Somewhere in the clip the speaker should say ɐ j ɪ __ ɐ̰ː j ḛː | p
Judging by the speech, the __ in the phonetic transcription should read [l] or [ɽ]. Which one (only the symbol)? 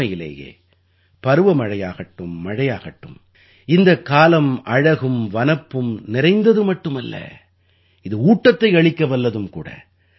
l